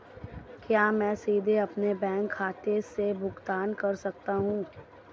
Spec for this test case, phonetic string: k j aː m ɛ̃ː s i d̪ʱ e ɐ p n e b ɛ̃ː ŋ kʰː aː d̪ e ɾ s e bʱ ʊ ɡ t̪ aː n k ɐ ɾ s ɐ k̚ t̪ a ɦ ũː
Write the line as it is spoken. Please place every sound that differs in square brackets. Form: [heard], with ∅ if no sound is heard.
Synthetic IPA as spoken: k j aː m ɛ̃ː s [iː] d̪ʱ e ɐ p n e b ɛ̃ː ŋ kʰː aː [t̪] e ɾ s e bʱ ʊ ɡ t̪ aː n k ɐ ɾ s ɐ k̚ t̪ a ɦ ũː